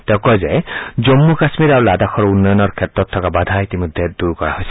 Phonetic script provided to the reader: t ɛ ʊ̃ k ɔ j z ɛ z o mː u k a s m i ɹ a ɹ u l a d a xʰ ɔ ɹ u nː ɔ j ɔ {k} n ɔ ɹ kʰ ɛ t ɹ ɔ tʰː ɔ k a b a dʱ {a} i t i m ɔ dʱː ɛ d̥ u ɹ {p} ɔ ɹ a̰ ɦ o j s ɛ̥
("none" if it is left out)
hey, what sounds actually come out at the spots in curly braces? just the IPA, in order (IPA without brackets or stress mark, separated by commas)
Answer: none, a, k